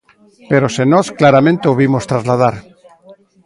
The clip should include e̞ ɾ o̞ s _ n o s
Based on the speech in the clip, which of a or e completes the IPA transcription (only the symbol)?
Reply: e